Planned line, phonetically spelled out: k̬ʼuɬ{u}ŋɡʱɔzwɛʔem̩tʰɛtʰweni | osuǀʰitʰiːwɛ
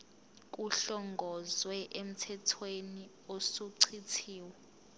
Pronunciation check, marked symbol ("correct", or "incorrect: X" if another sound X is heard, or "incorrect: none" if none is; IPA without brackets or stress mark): incorrect: ɔ